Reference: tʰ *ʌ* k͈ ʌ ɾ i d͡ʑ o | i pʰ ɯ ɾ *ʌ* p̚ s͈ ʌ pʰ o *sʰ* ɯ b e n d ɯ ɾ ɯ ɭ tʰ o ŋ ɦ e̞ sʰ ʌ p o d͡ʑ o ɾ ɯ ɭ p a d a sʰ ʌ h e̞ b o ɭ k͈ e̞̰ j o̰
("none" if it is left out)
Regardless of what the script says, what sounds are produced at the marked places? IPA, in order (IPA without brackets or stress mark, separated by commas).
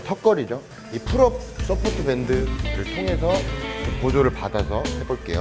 ʌ, ʌ, tʰ